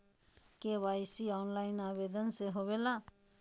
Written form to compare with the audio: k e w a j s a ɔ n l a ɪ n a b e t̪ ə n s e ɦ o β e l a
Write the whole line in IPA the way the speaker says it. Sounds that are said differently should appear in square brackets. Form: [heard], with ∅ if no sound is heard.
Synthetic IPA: k e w a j s [i] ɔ n l a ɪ n a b e [d̪] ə n s e ɦ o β e l a